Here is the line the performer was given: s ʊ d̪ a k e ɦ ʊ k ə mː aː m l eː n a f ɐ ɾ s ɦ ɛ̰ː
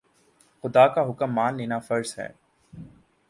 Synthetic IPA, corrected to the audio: x ʊ d̪ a k a ɦ ʊ k ə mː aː n l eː n a f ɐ ɾ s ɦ ɛ̰ː